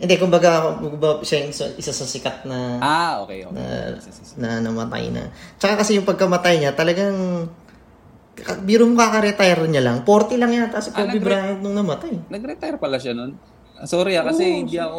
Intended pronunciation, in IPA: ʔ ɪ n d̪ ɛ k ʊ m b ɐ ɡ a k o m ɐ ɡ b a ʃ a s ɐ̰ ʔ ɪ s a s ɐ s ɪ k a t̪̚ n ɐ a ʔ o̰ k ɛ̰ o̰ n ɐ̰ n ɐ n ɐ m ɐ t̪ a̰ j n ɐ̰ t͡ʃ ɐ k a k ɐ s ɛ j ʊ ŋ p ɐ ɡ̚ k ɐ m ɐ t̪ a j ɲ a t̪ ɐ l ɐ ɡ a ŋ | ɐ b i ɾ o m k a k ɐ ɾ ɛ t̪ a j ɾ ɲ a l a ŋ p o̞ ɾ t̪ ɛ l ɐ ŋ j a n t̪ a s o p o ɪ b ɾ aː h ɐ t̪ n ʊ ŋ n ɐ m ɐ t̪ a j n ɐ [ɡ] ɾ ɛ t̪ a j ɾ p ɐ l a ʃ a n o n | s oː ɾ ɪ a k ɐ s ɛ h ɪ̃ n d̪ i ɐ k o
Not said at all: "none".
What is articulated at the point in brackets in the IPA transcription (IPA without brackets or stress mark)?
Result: ɡ